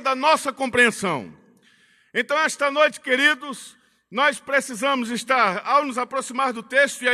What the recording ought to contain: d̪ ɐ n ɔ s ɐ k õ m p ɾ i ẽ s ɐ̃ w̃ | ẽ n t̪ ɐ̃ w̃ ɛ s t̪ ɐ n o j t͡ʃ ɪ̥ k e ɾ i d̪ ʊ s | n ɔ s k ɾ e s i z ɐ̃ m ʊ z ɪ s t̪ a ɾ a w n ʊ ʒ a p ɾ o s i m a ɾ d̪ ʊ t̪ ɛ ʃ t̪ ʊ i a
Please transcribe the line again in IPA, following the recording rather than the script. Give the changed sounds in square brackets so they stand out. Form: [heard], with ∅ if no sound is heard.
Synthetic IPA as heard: d̪ ɐ n ɔ s ɐ k õ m p ɾ i ẽ s ɐ̃ w̃ | ẽ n t̪ ɐ̃ w̃ ɛ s t̪ ɐ n o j t͡ʃ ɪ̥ k e ɾ i d̪ ʊ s | n ɔ s [p] ɾ e s i z ɐ̃ m ʊ z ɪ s t̪ a ɾ a w n ʊ [z] a p ɾ o s i m a ɾ d̪ ʊ t̪ [e] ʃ t̪ ʊ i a